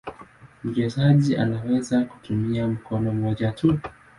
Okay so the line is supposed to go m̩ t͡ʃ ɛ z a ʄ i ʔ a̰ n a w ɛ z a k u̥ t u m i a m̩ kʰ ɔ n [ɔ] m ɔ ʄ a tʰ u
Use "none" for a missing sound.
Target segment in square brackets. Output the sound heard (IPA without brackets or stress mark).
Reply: ɔ